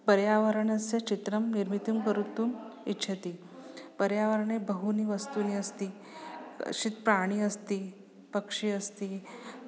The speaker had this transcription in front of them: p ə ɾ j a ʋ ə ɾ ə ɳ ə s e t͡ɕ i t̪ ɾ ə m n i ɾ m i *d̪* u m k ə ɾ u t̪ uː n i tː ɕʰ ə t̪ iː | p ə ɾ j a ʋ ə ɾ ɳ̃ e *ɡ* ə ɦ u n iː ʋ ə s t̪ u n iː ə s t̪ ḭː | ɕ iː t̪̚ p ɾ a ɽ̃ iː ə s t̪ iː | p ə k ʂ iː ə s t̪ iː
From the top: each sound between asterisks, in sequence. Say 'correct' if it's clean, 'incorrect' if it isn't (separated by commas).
incorrect, incorrect